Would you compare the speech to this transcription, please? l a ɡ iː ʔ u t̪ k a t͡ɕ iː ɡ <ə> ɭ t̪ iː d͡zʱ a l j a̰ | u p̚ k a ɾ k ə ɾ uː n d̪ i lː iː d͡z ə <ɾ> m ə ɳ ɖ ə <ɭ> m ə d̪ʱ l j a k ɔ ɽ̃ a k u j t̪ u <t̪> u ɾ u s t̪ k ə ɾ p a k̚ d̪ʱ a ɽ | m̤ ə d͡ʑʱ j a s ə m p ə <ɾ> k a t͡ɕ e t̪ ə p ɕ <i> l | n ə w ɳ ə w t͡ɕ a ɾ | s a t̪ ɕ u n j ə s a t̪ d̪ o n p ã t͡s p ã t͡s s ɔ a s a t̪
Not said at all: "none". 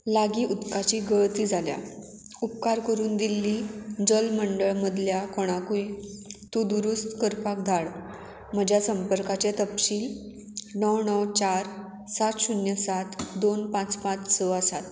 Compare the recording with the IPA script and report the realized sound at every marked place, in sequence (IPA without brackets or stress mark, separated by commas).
ə, l, ɭ, d̪, ɾ, iː